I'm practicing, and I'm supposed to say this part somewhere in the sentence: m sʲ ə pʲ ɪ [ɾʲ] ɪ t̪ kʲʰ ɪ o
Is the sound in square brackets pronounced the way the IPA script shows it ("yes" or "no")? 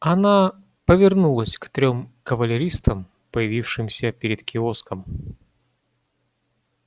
yes